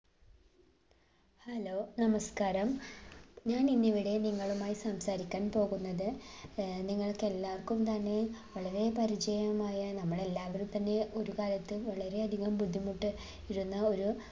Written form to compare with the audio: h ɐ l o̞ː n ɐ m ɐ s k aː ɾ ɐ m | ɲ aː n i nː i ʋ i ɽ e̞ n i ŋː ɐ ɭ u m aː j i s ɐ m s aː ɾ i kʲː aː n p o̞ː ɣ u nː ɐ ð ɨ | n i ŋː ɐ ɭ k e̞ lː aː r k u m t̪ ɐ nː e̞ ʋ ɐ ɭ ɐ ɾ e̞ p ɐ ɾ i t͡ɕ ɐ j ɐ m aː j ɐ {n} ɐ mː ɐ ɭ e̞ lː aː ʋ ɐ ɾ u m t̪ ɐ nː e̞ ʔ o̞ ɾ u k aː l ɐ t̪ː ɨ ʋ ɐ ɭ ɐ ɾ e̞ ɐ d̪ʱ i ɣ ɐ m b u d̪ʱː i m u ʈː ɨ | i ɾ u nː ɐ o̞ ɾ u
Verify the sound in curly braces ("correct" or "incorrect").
correct